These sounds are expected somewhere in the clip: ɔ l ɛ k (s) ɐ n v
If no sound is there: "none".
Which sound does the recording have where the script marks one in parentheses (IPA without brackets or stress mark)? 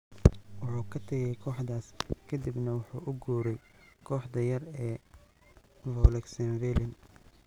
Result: s